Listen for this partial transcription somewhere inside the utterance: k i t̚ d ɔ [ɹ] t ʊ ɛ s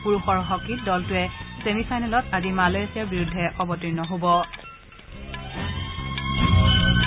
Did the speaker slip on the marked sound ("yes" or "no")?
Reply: yes